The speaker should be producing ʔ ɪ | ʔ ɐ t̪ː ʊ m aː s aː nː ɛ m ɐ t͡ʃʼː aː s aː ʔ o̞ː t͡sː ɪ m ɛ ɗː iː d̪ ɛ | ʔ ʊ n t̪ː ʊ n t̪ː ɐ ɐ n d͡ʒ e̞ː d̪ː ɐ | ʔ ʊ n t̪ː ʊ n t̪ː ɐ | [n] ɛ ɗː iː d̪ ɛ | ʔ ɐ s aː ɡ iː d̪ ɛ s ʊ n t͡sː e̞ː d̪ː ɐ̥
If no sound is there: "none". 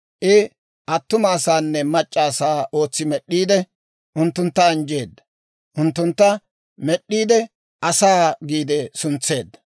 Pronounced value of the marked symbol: m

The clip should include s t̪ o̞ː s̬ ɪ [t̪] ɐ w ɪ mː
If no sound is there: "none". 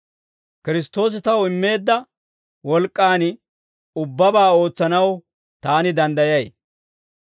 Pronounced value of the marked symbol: t̪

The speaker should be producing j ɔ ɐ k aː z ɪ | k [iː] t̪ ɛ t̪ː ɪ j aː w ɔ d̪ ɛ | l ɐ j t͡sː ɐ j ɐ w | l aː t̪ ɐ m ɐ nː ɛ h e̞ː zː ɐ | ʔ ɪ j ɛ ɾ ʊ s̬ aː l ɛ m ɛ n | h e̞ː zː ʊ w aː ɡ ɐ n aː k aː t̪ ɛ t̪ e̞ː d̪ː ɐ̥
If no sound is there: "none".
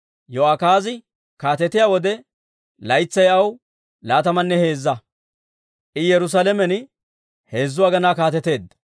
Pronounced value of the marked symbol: aː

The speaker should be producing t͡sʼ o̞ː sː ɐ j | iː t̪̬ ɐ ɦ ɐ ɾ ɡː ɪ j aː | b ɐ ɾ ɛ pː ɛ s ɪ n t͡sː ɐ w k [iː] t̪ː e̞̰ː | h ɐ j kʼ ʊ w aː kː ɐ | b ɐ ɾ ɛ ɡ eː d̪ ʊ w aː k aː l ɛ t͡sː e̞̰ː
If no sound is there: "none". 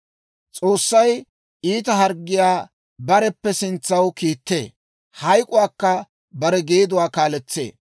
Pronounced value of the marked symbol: iː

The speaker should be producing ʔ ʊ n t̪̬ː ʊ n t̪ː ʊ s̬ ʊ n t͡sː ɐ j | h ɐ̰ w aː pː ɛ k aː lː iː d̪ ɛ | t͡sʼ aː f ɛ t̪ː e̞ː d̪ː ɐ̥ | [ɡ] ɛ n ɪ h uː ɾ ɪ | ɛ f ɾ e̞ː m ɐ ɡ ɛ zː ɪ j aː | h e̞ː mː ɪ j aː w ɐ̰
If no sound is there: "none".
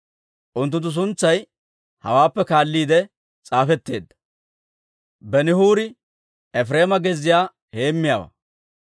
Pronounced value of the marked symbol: b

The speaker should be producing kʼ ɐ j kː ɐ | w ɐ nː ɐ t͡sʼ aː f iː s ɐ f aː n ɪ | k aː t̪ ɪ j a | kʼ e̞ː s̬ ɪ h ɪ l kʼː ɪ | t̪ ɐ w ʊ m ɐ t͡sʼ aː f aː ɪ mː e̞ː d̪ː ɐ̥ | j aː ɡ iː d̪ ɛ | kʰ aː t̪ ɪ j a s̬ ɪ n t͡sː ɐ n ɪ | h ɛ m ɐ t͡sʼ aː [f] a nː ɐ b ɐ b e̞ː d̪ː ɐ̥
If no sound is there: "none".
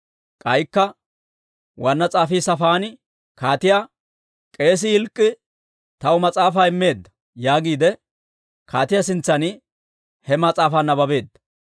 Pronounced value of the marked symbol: f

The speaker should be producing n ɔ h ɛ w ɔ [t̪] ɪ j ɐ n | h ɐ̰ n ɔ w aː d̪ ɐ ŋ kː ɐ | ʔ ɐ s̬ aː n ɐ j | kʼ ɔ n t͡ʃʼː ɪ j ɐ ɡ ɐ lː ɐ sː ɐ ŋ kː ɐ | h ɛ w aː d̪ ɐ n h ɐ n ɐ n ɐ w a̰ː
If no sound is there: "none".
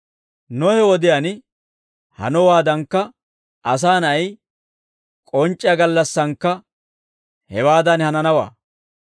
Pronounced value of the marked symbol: d̪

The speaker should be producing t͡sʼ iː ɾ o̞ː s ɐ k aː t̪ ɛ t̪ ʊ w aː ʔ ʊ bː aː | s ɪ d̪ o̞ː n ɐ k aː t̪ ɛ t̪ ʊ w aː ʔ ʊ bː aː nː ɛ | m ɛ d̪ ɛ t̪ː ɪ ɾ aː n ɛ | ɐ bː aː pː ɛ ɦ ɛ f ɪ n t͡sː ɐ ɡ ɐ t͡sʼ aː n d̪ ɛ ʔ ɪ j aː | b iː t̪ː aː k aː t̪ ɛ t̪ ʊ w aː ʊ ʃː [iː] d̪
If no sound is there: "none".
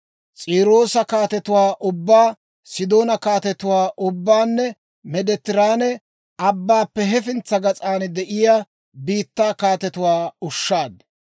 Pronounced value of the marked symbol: aː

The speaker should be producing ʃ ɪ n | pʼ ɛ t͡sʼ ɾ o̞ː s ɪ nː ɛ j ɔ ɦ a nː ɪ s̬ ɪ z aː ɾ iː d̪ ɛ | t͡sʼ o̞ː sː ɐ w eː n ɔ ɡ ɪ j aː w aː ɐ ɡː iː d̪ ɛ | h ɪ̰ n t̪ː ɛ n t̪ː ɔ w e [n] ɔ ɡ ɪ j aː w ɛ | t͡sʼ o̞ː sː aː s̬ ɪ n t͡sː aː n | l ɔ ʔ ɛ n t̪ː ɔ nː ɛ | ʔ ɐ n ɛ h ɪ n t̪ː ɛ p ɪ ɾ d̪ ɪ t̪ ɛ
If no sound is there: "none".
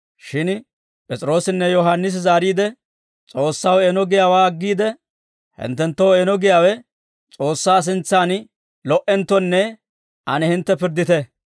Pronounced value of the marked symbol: n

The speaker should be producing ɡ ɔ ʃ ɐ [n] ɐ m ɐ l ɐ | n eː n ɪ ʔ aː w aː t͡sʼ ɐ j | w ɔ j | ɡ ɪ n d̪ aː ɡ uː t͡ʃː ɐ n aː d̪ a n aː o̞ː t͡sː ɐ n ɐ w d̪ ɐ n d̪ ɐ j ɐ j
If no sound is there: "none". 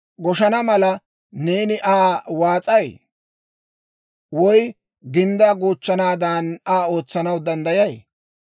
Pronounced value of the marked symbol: n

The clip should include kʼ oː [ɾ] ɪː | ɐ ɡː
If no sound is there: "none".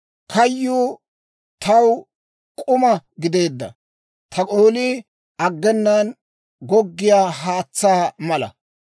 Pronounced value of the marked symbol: l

